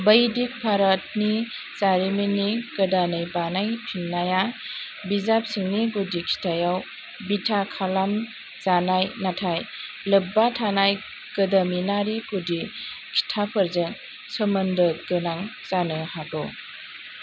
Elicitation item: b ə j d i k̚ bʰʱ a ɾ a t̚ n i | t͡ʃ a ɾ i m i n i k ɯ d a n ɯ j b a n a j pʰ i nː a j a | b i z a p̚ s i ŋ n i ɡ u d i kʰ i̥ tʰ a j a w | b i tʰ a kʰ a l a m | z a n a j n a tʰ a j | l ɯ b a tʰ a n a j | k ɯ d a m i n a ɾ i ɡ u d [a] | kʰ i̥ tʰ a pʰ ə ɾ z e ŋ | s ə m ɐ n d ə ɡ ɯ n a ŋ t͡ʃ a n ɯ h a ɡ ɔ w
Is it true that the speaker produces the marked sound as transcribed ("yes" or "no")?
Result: no